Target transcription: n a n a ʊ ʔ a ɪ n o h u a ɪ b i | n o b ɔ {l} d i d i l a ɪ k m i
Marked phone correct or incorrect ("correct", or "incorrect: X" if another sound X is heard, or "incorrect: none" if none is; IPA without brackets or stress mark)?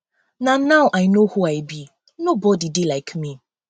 incorrect: none